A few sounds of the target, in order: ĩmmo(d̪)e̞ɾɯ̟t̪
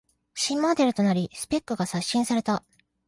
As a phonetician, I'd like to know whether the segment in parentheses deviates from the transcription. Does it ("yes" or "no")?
no